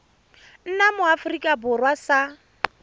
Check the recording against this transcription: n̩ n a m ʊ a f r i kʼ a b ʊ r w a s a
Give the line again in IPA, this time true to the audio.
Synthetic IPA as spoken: n̩ n a m ʊ a f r i kʼ a b ʊ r w a s a